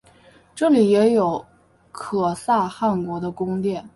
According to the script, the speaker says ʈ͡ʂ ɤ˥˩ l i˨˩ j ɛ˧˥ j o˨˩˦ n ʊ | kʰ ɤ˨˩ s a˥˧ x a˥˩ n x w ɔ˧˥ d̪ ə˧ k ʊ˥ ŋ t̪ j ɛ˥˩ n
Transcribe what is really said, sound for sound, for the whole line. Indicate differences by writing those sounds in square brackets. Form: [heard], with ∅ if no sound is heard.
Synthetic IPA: ʈ͡ʂ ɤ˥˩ l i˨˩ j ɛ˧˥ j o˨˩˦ [∅] ʊ | kʰ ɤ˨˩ s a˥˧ x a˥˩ n [k] w ɔ˧˥ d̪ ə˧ k ʊ˥ ŋ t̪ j ɛ˥˩ n